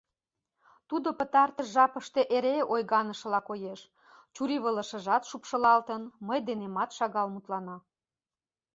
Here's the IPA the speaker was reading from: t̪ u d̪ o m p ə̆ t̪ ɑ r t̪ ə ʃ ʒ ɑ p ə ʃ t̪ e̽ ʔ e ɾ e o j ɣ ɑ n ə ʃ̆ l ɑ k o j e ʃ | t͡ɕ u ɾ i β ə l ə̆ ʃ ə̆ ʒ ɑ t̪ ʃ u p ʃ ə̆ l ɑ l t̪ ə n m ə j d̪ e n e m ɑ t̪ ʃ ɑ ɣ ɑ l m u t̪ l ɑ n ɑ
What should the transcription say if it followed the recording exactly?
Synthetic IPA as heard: t̪ u d̪ o p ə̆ t̪ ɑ r t̪ ə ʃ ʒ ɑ p ə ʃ t̪ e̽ ʔ e ɾ e o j ɣ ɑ n ə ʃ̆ l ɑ k o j e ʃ | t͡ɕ u ɾ i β ə l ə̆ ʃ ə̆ ʒ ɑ t̪ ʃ u p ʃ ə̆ l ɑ l t̪ ə n m ə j d̪ e n e m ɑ t̪ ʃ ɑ ɣ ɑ l m u t̪ l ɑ n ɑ